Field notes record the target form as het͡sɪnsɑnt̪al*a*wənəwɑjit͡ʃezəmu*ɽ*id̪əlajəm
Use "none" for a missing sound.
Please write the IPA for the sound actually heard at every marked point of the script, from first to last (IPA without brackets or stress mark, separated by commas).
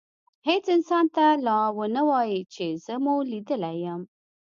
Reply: ɑ, l